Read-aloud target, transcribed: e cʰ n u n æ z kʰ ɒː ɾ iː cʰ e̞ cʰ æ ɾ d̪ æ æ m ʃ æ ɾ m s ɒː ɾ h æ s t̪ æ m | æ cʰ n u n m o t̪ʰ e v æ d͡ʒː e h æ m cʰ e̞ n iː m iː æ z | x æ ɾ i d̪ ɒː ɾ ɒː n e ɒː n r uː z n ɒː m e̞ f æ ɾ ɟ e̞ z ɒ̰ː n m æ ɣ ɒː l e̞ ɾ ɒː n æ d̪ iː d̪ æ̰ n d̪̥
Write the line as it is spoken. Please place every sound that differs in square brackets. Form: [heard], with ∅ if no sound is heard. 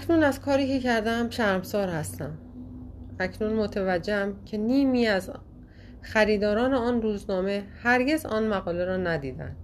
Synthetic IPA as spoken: [æ] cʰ n u n æ z kʰ ɒː ɾ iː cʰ e̞ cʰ æ ɾ d̪ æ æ m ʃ æ ɾ m s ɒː ɾ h æ s t̪ æ m | æ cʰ n u n m o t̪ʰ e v æ d͡ʒː e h æ m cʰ e̞ n iː m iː æ z | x æ ɾ [iː] d̪ ɒː ɾ ɒː n e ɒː n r uː z n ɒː m e̞ [h] æ ɾ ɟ e̞ z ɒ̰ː n m æ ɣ ɒː l e̞ ɾ ɒː n æ d̪ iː d̪ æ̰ n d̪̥